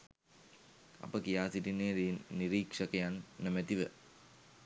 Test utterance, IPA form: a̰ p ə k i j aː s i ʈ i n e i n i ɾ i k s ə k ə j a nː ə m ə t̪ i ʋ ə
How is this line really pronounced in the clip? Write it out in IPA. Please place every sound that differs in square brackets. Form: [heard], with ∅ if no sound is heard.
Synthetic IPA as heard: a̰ p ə k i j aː s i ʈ i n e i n i ɾ i k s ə k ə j a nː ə m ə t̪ i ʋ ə